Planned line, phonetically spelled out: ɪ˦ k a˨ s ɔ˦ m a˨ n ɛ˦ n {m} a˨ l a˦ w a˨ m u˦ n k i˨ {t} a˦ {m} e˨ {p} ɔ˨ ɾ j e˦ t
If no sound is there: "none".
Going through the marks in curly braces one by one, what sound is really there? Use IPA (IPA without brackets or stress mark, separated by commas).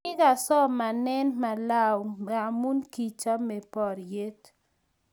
m, t͡ʃ, m, p